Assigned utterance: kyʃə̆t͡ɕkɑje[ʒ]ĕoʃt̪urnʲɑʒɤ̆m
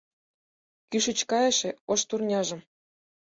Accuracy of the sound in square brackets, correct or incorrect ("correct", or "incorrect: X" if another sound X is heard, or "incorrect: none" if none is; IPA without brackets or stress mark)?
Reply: incorrect: ʃ